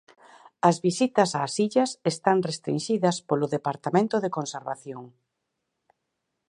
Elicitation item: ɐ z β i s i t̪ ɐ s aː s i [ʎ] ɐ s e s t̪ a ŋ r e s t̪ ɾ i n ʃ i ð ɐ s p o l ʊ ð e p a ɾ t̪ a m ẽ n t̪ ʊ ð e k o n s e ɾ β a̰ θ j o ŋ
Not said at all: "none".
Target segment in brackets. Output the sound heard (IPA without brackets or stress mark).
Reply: ʎ